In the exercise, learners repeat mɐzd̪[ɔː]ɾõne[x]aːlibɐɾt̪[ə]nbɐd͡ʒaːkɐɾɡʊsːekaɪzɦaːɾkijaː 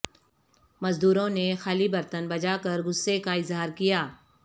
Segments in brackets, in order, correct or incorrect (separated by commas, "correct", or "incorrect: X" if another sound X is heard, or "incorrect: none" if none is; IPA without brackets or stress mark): incorrect: uː, correct, correct